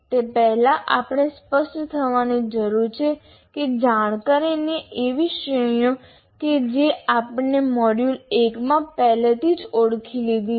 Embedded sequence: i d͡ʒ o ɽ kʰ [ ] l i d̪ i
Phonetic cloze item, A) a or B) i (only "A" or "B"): B